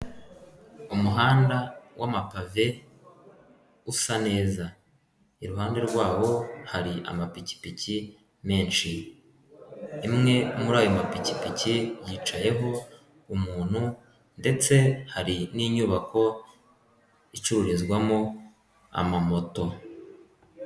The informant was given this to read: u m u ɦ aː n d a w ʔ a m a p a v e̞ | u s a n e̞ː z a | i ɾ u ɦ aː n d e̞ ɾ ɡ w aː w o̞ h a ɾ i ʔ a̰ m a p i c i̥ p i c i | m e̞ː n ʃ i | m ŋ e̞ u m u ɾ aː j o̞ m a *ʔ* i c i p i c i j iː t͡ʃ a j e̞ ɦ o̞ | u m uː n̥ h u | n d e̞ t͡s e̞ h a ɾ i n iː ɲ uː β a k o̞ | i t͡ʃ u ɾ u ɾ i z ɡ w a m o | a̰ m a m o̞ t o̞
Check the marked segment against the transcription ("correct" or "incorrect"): incorrect